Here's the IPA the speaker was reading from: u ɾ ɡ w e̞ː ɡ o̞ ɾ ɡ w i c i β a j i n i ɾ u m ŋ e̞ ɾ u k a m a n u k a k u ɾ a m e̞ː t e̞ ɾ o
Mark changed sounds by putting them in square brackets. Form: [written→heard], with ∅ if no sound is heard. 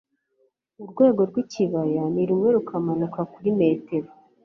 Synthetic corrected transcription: u ɾ ɡ w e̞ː ɡ o̞ ɾ ɡ w i c i β a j [i→a] n i ɾ u m ŋ e̞ ɾ u k a m a n u k a k u ɾ [a→i] m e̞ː t e̞ ɾ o